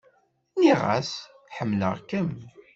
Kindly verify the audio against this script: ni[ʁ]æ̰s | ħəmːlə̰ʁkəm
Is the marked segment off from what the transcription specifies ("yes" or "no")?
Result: no